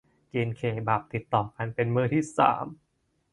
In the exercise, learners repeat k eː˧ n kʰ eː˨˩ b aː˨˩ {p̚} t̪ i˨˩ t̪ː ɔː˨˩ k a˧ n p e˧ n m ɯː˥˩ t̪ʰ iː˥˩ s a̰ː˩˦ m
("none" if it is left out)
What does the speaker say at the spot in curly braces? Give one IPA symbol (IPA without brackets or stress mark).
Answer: p̚